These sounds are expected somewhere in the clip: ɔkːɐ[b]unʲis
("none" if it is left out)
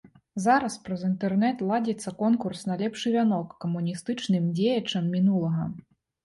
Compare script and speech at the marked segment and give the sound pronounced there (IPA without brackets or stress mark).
m